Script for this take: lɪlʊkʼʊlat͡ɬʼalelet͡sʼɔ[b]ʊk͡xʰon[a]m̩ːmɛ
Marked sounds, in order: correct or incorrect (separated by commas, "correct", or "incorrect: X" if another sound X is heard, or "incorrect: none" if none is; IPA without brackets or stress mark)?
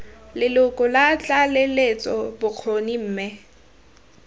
correct, incorrect: i